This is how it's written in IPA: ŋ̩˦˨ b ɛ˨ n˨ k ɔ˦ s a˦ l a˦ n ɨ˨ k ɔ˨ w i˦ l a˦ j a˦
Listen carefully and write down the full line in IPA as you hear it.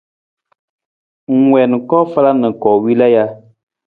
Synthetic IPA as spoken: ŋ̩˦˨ w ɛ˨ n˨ k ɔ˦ f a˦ l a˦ n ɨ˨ k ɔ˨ w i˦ l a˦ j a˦